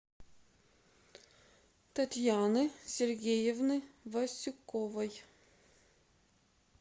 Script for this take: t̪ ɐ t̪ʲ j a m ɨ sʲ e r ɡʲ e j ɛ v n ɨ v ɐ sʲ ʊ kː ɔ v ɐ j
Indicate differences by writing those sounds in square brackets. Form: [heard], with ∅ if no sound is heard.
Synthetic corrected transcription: t̪ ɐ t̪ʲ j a [n] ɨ sʲ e r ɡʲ e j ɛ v n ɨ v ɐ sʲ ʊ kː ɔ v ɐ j